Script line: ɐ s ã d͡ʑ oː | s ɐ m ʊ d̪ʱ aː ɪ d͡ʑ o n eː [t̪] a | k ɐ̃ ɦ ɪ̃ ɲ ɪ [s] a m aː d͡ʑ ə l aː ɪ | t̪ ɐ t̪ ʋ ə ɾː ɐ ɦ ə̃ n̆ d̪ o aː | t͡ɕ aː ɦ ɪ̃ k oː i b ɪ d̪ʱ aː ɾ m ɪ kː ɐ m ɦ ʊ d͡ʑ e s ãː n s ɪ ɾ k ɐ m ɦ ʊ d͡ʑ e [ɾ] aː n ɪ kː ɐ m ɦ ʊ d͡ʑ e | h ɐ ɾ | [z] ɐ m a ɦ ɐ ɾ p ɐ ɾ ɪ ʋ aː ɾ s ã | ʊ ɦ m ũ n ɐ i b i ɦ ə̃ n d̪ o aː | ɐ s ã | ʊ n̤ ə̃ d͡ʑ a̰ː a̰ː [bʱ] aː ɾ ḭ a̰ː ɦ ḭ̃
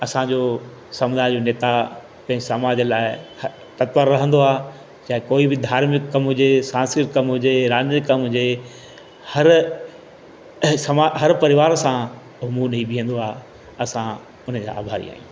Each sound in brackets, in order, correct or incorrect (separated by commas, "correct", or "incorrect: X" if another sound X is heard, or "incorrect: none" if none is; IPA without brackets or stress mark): correct, correct, correct, incorrect: s, correct